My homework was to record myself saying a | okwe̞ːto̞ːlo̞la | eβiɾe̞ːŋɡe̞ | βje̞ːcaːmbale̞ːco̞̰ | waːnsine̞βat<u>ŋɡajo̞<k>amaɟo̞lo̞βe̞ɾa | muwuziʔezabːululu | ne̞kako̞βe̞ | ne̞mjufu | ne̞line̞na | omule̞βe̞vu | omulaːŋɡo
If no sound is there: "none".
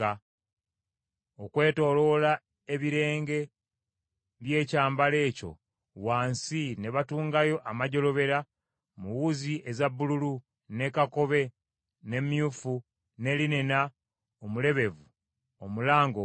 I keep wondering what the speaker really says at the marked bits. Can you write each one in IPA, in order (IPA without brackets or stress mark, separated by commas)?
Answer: uː, ʔ